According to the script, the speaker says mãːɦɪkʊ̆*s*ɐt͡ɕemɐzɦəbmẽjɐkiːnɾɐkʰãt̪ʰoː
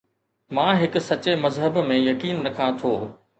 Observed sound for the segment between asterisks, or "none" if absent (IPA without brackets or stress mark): s